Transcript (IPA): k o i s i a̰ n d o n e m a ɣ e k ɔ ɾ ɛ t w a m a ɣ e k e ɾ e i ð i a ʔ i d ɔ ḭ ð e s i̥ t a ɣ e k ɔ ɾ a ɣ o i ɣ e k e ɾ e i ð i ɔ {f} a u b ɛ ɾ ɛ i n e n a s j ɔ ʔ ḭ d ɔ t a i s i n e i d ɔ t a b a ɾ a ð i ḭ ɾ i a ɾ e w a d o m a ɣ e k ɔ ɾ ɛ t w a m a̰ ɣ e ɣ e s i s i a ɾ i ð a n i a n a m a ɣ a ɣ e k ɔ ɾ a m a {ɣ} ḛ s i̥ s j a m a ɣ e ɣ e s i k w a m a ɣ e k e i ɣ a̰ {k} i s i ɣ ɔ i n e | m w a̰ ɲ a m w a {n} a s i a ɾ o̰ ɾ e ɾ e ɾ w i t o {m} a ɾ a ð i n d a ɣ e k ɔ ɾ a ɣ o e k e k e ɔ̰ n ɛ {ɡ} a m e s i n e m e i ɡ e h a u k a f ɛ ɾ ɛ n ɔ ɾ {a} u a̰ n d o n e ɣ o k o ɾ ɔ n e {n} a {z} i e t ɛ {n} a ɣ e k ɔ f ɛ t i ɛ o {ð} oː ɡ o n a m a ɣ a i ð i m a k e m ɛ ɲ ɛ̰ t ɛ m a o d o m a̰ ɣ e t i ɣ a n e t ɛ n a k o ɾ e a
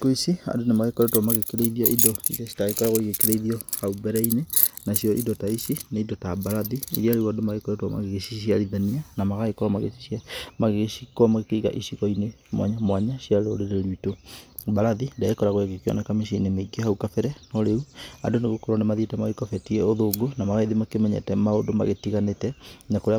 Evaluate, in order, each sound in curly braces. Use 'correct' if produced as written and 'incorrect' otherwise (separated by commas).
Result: incorrect, correct, incorrect, incorrect, incorrect, incorrect, incorrect, incorrect, incorrect, incorrect, correct